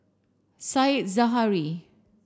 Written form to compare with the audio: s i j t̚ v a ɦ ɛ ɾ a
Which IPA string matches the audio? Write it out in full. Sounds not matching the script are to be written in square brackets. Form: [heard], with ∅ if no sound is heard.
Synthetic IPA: s [a] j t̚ [z] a ɦ [a] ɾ [i]

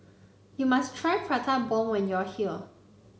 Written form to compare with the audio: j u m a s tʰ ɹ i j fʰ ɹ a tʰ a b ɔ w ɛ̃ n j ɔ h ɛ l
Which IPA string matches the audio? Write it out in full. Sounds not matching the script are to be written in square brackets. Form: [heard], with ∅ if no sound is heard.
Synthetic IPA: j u m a s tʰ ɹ [a] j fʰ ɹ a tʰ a b ɔ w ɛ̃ n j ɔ h [i] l

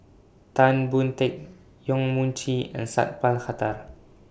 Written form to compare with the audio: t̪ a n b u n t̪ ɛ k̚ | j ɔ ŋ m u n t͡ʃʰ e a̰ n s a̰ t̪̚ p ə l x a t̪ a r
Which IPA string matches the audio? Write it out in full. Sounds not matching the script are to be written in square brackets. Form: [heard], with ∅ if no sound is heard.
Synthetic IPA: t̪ a n b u n t̪ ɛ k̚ | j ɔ ŋ m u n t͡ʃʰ [i] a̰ n s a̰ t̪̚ p [a] l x a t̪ a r

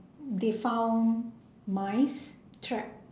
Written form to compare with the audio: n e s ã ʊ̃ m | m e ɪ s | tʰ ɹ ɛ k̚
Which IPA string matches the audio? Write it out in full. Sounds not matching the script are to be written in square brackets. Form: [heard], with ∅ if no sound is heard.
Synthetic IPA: [d] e [f] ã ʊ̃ [n] | m [a] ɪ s | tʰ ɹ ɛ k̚

